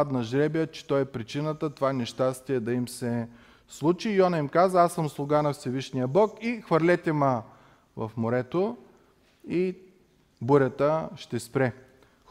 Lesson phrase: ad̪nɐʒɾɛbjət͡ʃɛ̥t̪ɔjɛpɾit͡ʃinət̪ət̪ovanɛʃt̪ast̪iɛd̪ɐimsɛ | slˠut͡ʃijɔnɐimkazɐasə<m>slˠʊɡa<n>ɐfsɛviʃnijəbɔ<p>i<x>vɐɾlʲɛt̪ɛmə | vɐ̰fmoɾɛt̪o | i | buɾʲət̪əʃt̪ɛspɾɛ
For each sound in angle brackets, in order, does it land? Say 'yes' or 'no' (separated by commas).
yes, yes, no, yes